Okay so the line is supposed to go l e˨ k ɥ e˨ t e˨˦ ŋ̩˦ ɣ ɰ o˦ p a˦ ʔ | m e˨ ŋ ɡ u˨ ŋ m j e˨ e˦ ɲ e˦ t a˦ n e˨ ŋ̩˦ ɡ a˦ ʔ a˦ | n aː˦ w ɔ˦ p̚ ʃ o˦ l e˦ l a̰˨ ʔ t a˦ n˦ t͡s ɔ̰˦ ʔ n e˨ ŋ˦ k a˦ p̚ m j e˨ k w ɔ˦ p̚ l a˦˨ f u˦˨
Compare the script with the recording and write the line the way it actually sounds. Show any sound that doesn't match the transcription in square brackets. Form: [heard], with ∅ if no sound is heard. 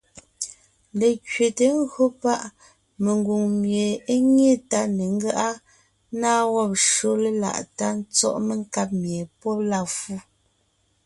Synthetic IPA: l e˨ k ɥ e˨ t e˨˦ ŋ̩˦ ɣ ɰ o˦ p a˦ ʔ | m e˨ ŋ ɡ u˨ ŋ m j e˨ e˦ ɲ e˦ t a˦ n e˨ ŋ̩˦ ɡ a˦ ʔ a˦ | n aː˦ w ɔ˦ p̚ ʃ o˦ l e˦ l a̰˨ ʔ t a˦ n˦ t͡s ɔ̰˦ ʔ [m] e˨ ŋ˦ k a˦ p̚ m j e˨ [p] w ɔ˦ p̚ l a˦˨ f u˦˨